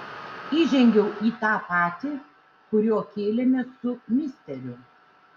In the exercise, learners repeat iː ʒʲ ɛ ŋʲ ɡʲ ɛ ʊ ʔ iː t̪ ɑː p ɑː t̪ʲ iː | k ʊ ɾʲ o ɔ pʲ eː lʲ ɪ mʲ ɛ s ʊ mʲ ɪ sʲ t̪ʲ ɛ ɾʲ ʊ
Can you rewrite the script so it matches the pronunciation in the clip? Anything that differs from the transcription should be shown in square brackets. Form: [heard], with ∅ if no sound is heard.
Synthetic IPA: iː ʒʲ ɛ ŋʲ ɡʲ ɛ ʊ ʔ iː t̪ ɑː p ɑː t̪ʲ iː | k ʊ ɾʲ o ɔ [kʲ] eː lʲ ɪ mʲ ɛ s ʊ mʲ ɪ sʲ t̪ʲ ɛ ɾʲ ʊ

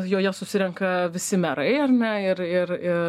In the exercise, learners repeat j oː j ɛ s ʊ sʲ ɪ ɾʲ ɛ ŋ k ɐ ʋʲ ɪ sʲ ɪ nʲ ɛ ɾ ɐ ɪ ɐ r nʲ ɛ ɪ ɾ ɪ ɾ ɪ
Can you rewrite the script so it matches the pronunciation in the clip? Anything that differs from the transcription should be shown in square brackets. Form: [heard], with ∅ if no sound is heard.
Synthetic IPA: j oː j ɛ s ʊ sʲ ɪ ɾʲ ɛ ŋ k ɐ ʋʲ ɪ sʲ ɪ [mʲ] ɛ ɾ ɐ ɪ ɐ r nʲ ɛ ɪ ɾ ɪ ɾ ɪ

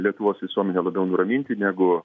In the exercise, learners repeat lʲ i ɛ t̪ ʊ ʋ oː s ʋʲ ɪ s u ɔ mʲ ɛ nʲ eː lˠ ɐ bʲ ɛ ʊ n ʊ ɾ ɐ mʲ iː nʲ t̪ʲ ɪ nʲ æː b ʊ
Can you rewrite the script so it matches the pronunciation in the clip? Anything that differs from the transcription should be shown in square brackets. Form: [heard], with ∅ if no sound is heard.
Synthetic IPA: lʲ i ɛ t̪ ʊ ʋ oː s ʋʲ ɪ s u ɔ mʲ ɛ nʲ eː lˠ ɐ bʲ ɛ ʊ n ʊ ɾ ɐ mʲ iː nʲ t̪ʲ ɪ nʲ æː [ɡ] ʊ

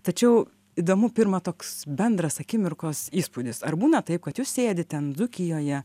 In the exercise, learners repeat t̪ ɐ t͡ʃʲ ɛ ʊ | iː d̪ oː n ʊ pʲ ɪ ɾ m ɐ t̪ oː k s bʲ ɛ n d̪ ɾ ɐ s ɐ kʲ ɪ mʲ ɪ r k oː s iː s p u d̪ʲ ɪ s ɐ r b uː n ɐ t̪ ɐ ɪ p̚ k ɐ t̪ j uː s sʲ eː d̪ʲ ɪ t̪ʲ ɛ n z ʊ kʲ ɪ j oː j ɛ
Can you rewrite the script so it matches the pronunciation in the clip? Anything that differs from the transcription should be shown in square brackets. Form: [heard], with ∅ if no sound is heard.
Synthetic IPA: t̪ ɐ t͡ʃʲ ɛ ʊ | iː d̪ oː [m] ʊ pʲ ɪ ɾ m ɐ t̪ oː k s bʲ ɛ n d̪ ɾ ɐ s ɐ kʲ ɪ mʲ ɪ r k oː s iː s p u d̪ʲ ɪ s ɐ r b uː n ɐ t̪ ɐ ɪ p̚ k ɐ t̪ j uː s sʲ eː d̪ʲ ɪ t̪ʲ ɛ n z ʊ kʲ ɪ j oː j ɛ

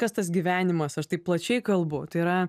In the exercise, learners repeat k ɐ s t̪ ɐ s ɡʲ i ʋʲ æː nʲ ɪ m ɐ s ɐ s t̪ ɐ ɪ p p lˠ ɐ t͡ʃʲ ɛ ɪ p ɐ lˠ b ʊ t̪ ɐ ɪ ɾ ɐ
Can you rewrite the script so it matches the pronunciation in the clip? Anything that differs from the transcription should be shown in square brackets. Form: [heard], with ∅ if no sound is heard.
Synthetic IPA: k ɐ s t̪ ɐ s ɡʲ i ʋʲ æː nʲ ɪ m ɐ s ɐ [ʃ] t̪ ɐ ɪ p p lˠ ɐ t͡ʃʲ ɛ ɪ [k] ɐ lˠ b ʊ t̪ ɐ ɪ ɾ ɐ

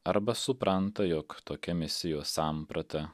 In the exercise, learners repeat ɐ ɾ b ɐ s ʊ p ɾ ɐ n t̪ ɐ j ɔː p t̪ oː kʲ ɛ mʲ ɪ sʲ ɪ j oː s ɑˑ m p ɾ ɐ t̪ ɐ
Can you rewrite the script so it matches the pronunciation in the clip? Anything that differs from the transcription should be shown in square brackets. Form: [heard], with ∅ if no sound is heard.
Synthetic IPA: ɐ ɾ b ɐ s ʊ p ɾ ɐ n t̪ ɐ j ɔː [k] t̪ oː kʲ ɛ mʲ ɪ sʲ ɪ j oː s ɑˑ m p ɾ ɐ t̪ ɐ

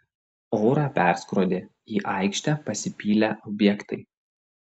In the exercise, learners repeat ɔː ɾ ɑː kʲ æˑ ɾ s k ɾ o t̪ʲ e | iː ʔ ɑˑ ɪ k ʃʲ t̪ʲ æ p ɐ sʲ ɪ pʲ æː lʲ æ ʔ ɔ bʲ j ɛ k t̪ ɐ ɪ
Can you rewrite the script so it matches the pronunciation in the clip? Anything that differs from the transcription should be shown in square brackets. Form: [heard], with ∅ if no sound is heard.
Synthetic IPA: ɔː ɾ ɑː [pʲ] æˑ ɾ s k ɾ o [d̪ʲ] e | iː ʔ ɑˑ ɪ k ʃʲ t̪ʲ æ p ɐ sʲ ɪ pʲ [iː] lʲ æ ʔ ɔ bʲ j ɛ k t̪ ɐ ɪ

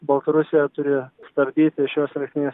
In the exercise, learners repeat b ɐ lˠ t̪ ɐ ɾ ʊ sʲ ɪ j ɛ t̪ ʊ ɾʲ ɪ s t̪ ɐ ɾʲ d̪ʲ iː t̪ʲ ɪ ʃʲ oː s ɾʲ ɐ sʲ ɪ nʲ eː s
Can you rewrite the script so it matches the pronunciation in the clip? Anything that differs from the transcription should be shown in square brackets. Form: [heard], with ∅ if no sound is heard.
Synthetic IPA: b ɐ lˠ t̪ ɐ ɾ ʊ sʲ ɪ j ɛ t̪ ʊ ɾʲ ɪ s t̪ ɐ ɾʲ d̪ʲ iː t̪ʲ ɪ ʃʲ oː s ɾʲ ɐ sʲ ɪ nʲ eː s

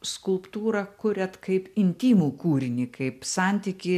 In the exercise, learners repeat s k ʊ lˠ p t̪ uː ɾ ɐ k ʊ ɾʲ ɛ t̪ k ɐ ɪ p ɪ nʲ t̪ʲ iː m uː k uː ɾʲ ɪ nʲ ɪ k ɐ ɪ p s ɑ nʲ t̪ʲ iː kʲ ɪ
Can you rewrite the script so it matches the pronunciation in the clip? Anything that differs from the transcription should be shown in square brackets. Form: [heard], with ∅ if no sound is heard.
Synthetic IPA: s k ʊ lˠ p t̪ uː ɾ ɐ k ʊ ɾʲ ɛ t̪ k ɐ ɪ p ɪ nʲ t̪ʲ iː m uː k uː ɾʲ ɪ nʲ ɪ k ɐ ɪ p s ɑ nʲ t̪ʲ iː kʲ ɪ

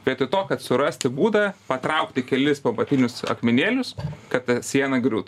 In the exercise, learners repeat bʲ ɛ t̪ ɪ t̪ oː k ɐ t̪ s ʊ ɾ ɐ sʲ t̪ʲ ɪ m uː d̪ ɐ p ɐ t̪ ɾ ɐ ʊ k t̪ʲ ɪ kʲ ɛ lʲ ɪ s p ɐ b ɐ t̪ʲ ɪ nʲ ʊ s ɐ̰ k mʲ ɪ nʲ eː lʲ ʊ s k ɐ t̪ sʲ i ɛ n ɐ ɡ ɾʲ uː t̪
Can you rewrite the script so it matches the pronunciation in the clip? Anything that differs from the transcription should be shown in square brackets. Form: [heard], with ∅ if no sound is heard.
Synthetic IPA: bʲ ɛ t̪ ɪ t̪ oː k ɐ t̪ s ʊ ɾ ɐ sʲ t̪ʲ ɪ [b] uː d̪ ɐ p ɐ t̪ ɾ ɐ ʊ k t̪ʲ ɪ kʲ ɛ lʲ ɪ s p ɐ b ɐ t̪ʲ ɪ nʲ ʊ s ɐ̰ k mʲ ɪ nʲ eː lʲ ʊ s k ɐ t̪ sʲ i ɛ n ɐ ɡ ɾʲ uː t̪

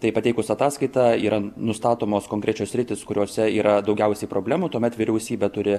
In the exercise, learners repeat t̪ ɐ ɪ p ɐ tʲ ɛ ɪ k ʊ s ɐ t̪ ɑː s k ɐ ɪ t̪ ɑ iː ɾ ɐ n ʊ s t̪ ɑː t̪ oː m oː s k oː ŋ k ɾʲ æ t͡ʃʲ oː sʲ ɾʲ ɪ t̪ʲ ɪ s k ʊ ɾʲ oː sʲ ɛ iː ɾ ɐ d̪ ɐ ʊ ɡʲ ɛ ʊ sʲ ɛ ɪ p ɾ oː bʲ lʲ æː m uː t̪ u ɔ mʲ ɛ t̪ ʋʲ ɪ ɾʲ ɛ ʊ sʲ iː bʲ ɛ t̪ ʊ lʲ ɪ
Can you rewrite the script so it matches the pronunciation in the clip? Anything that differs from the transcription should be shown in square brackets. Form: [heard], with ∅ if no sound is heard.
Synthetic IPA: t̪ ɐ ɪ p ɐ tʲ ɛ ɪ k ʊ s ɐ t̪ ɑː s k ɐ ɪ t̪ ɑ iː ɾ ɐ n ʊ s t̪ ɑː t̪ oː m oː s k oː ŋ k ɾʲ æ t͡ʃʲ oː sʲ ɾʲ ɪ t̪ʲ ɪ s k ʊ ɾʲ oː sʲ ɛ iː ɾ ɐ d̪ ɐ ʊ ɡʲ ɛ ʊ sʲ ɛ ɪ p ɾ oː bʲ lʲ æː m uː t̪ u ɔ mʲ ɛ t̪ ʋʲ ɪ ɾʲ ɛ ʊ sʲ iː bʲ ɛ t̪ ʊ [ɾʲ] ɪ

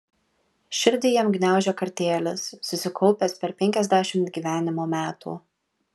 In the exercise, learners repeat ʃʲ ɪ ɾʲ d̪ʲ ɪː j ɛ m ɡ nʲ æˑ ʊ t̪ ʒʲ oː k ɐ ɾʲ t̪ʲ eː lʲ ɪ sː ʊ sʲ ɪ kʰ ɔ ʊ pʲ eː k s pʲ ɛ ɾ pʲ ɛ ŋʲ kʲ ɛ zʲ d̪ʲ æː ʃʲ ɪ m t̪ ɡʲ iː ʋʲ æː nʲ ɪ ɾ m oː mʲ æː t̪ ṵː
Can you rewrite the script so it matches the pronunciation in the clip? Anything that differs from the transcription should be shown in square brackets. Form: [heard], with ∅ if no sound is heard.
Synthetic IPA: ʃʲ ɪ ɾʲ d̪ʲ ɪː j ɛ m ɡ nʲ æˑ ʊ [∅] ʒʲ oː k ɐ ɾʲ t̪ʲ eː lʲ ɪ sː ʊ sʲ ɪ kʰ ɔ ʊ pʲ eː [∅] s pʲ ɛ ɾ pʲ ɛ ŋʲ kʲ ɛ zʲ d̪ʲ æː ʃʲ ɪ m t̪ ɡʲ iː ʋʲ æː nʲ ɪ [∅] m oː mʲ æː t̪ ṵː

